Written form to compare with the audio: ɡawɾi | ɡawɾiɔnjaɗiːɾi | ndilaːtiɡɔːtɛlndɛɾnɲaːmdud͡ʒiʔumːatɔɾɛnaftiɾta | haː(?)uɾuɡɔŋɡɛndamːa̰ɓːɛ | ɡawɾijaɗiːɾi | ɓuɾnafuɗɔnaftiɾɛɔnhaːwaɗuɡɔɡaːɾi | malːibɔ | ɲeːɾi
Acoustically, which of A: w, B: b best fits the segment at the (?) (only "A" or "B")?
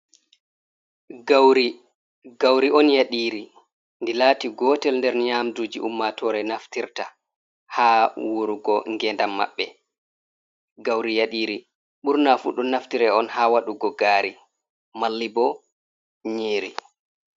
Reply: A